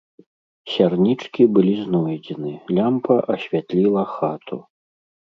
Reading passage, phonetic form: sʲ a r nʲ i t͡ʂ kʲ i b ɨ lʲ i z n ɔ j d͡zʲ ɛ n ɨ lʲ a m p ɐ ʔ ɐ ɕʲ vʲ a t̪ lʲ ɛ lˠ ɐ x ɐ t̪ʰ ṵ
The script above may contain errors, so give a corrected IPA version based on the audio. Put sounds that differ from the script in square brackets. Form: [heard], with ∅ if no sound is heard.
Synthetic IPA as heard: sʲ a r nʲ i t͡ʂ kʲ i b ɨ lʲ i z n ɔ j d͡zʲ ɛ n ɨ lʲ a m p ɐ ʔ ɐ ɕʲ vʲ a t̪ lʲ [i] lˠ ɐ x [a] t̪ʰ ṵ